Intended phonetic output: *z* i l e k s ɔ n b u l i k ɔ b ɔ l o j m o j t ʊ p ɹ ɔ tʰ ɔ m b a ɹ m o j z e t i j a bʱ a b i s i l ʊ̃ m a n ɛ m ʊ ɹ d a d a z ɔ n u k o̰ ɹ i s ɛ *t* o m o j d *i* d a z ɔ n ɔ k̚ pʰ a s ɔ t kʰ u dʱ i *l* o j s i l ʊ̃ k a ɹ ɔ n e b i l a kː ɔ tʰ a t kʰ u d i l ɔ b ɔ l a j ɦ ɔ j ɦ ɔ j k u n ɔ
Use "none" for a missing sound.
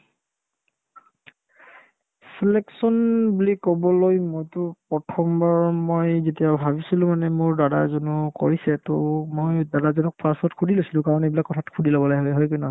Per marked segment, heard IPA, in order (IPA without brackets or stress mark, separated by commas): s, t, a, l